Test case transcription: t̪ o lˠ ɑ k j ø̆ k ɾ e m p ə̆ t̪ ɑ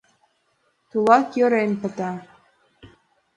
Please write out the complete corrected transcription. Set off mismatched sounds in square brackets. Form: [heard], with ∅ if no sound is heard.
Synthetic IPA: t̪ [u] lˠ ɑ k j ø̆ [∅] ɾ e [n] p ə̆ t̪ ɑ